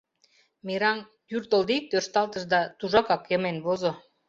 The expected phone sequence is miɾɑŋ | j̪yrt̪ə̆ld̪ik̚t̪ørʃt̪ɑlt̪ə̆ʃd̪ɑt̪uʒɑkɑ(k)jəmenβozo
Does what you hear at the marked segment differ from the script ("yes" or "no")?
no